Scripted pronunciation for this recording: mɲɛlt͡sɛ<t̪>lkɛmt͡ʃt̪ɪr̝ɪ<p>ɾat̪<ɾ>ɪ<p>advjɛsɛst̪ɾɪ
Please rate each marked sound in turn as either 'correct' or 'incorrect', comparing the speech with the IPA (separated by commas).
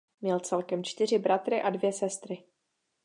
incorrect, incorrect, correct, incorrect